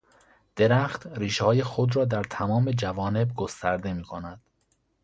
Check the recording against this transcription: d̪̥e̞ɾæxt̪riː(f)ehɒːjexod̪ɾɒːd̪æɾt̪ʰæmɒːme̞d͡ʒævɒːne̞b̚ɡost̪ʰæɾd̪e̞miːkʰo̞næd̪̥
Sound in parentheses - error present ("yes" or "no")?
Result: yes